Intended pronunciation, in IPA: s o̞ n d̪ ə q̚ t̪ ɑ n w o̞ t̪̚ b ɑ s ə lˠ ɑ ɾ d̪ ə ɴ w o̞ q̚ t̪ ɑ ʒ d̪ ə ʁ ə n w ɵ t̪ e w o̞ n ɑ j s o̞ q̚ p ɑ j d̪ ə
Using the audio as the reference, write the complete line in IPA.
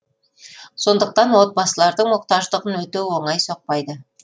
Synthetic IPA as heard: s o̞ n d̪ ə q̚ t̪ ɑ n w o̞ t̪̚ b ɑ s ə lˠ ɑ ɾ d̪ ə ɴ w o̞ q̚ t̪ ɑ ʒ d̪ ə ʁ ə n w ɵ t̪ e w o̞ ɴ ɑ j s o̞ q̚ p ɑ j d̪ ə